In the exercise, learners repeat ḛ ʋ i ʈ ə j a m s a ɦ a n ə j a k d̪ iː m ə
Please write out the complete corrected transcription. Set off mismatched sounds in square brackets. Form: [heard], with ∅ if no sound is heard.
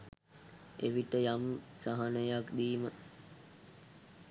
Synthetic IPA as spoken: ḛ ʋ i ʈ ə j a m s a ɦ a n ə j a k d̪ iː m ə